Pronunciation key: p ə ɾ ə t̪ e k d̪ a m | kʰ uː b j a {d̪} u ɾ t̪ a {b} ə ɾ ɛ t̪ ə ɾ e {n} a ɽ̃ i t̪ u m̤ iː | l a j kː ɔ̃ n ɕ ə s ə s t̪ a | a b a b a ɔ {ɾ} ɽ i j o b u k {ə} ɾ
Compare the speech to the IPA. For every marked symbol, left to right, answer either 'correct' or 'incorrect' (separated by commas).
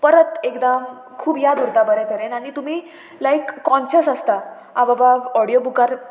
correct, correct, correct, incorrect, incorrect